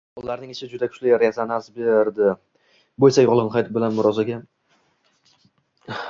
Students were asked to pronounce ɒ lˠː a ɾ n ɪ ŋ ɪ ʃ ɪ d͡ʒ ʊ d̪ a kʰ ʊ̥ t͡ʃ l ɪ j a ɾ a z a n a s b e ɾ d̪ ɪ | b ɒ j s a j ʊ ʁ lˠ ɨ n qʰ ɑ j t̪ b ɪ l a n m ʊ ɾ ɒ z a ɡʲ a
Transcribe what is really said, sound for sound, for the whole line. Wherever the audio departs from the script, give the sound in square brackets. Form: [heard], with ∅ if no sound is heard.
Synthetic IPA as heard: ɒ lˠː a ɾ n ɪ ŋ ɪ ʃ ɪ d͡ʒ ʊ d̪ a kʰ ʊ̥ t͡ʃ l ɪ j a ɾ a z a n a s b e ɾ d̪ ɪ | b [o] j s a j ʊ ʁ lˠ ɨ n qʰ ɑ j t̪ b ɪ l a n m ʊ ɾ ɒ z a ɡʲ a

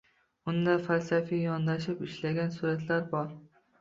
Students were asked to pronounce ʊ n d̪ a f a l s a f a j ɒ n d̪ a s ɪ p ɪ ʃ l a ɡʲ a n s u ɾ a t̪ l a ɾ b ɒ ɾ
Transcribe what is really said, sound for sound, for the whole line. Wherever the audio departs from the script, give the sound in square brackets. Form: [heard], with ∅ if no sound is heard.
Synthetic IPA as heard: ʊ n d̪ a f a l s a f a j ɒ n d̪ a [ʃ] ɪ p ɪ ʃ l a ɡʲ a n s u ɾ a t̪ l a ɾ b ɒ ɾ

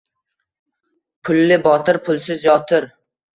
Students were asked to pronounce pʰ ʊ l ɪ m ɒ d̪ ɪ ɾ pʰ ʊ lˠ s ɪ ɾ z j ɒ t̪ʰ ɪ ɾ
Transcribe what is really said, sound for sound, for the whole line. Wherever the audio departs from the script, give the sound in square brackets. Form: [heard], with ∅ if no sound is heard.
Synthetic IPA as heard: pʰ ʊ [lː] ɪ [b] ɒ [t̪] ɪ ɾ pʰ ʊ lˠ s ɪ [∅] z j ɒ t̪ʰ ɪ ɾ

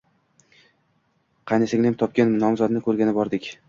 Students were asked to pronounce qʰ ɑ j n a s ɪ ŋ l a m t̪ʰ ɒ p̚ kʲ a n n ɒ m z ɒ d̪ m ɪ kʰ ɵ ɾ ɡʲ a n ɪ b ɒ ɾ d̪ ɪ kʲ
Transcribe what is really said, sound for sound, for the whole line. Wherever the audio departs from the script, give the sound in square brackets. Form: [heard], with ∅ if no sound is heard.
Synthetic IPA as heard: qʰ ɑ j n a s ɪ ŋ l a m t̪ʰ ɒ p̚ kʲ a n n ɒ m z ɒ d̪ [n] ɪ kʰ ɵ ɾ ɡʲ a n ɪ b ɒ ɾ d̪ ɪ kʲ

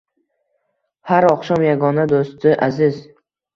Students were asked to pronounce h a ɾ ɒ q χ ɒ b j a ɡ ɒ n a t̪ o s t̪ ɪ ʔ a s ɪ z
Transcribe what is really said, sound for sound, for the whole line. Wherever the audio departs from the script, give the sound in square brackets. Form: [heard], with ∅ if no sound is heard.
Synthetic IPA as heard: h a ɾ ɒ q [ʃ] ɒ [m] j a ɡ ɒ n a [d̪] o s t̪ ɪ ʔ a [z] ɪ z

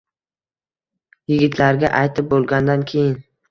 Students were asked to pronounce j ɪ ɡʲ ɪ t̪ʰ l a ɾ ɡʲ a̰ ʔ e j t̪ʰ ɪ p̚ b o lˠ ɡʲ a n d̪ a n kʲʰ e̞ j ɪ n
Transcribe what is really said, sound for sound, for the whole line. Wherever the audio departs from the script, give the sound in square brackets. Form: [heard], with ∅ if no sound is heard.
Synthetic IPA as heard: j ɪ ɡʲ ɪ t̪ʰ l a ɾ ɡʲ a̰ ʔ [a] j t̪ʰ ɪ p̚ b o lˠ ɡʲ a n d̪ a n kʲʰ e̞ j ɪ n

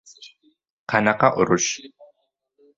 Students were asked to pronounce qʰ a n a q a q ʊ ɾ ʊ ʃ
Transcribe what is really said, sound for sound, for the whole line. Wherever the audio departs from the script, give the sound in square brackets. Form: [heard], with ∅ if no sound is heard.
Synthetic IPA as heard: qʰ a n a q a [ʔ] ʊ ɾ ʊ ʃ

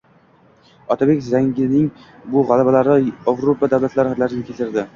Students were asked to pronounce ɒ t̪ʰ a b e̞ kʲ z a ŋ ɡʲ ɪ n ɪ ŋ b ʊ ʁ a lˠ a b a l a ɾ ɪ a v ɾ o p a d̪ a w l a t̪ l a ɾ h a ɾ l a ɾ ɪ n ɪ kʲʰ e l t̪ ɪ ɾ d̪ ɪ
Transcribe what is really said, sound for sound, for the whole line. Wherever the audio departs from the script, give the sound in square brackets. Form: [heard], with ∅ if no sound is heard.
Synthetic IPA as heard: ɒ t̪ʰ a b e̞ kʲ z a ŋ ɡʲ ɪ n ɪ ŋ b ʊ ʁ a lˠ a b a l a ɾ ɪ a v ɾ o p a d̪ a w l a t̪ l a ɾ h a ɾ l a ɾ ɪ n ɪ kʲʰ e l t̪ ɪ ɾ d̪ ɪ

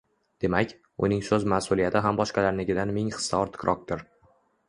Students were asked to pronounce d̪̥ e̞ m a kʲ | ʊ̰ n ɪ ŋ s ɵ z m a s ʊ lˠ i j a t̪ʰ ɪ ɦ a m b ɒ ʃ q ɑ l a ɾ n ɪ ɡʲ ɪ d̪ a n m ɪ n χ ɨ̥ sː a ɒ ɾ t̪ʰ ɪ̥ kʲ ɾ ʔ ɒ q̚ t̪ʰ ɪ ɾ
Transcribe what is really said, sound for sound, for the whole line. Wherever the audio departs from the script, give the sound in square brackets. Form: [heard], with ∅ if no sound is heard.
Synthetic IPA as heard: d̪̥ e̞ m a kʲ | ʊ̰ n ɪ ŋ s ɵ z m a s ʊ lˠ i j a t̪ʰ ɪ ɦ a m b ɒ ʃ q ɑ l a ɾ n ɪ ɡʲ ɪ d̪ a n m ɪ [ŋ] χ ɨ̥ sː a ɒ ɾ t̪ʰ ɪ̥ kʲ ɾ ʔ ɒ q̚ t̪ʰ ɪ ɾ

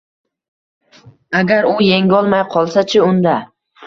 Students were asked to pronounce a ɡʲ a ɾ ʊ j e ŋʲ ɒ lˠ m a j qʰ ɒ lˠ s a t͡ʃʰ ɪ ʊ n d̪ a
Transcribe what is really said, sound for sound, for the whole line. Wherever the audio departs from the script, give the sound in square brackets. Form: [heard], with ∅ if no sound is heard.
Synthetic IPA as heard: a ɡʲ a ɾ ʊ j e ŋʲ ɒ lˠ m a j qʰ ɒ lˠ s a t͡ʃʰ ɪ ʊ n d̪ a

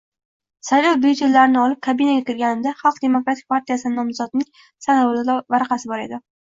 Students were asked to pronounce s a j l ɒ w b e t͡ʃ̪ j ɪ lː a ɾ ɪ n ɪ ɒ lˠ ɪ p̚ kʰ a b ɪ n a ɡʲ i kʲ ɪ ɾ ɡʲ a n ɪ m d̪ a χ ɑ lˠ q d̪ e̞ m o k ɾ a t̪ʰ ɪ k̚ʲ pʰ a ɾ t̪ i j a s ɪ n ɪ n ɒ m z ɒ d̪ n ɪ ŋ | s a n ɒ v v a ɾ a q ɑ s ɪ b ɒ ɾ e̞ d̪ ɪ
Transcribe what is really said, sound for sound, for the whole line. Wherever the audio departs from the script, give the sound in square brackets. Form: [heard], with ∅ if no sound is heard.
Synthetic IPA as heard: s a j l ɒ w b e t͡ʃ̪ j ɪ lː a ɾ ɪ n ɪ ɒ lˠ ɪ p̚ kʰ a b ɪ n a ɡʲ [a] kʲ ɪ ɾ ɡʲ a n ɪ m d̪ a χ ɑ lˠ q d̪ e̞ m o k ɾ a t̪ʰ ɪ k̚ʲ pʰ a ɾ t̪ i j a s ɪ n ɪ n ɒ m z ɒ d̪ n ɪ ŋ | s a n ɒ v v a ɾ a q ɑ s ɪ b ɒ ɾ e̞ d̪ ɪ

